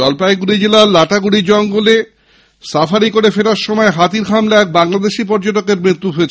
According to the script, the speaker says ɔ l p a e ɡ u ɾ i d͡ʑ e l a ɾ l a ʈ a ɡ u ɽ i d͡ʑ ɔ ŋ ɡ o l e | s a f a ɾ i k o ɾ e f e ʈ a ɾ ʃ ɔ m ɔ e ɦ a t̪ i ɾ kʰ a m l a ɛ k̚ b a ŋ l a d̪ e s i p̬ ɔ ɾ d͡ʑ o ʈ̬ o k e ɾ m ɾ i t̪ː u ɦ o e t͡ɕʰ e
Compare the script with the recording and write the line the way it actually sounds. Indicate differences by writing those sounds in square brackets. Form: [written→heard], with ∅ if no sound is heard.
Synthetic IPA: ɔ l p a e ɡ u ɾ i d͡ʑ e l a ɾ l a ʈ a ɡ u ɽ i d͡ʑ ɔ ŋ ɡ o l e | s a f a ɾ i k o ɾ e f e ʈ a ɾ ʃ ɔ m ɔ e ɦ a t̪ i ɾ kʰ a m l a ɛ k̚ b a ŋ l a d̪ e [s→ʃ] i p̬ ɔ ɾ d͡ʑ o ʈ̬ o k e ɾ m ɾ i t̪ː u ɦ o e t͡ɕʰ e